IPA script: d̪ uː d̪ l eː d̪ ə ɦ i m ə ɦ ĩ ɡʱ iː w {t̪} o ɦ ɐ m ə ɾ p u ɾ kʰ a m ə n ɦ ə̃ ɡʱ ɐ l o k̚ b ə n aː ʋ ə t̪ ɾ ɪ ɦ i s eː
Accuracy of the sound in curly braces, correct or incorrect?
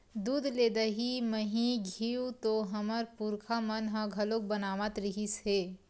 correct